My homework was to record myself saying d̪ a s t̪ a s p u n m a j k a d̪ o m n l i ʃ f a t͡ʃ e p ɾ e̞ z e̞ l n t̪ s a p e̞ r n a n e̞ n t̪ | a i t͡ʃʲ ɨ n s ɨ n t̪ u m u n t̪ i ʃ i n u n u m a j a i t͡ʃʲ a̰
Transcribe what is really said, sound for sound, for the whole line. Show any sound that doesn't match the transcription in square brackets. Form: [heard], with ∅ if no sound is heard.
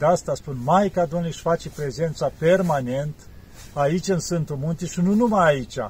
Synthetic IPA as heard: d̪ a s t̪ a s p u n m a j k a d̪ o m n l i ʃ f a t͡ʃ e p ɾ e̞ z e̞ [∅] n t̪ s a p e̞ r [m] a n e̞ n t̪ | a i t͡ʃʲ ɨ n s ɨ n t̪ u m u n t̪ i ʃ i n u n u m a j a i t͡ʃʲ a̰